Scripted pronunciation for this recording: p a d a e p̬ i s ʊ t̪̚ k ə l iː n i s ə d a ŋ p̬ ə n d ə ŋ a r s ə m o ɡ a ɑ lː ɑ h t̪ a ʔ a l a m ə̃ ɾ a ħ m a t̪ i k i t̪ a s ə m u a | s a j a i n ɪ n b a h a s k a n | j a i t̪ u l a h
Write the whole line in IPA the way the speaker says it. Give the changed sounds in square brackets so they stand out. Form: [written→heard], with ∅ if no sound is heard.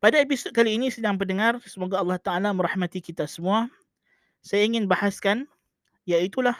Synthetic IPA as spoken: p a d a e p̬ i s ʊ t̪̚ k [ə→a] l iː n i s ə d a ŋ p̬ ə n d ə ŋ a r s ə m o ɡ a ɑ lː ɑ h t̪ a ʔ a l a m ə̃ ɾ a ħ m a t̪ i k i t̪ a s ə m u a | s a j a i [n→ŋ] ɪ n b a h a s k a n | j a i t̪ u l a h